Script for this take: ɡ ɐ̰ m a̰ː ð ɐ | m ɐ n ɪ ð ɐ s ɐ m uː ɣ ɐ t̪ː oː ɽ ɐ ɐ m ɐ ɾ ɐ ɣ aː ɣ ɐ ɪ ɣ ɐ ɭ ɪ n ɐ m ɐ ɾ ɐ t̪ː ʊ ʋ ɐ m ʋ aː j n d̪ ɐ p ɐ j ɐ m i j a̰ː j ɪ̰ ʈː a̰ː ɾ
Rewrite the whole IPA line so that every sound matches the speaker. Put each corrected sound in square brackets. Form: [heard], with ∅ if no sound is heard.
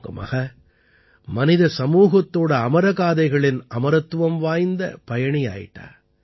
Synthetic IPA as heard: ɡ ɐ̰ m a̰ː [ɣ] ɐ | m ɐ n ɪ ð ɐ s ɐ m uː ɣ ɐ t̪ː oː ɽ ɐ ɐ m ɐ ɾ ɐ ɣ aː [ð] ɐ ɪ ɣ ɐ ɭ ɪ n ɐ m ɐ ɾ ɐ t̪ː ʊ ʋ ɐ m ʋ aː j n d̪ ɐ p ɐ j ɐ [ɳ] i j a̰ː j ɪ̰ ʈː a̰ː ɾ